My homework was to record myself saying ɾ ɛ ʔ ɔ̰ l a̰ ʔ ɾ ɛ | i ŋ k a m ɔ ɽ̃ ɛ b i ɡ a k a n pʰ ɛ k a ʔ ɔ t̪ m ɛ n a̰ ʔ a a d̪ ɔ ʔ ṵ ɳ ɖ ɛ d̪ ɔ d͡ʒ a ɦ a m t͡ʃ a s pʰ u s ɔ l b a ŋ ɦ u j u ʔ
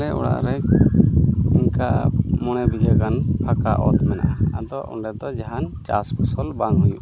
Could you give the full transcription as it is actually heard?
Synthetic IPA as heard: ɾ ɛ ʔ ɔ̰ ɽ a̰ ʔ ɾ ɛ | i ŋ k a m ɔ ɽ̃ ɛ b i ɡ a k a n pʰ a k a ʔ ɔ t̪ m ɛ n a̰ ʔ a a d̪ ɔ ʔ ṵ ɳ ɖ ɛ d̪ ɔ d͡ʒ a ɦ a n t͡ʃ a s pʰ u s ɔ l b a ŋ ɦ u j u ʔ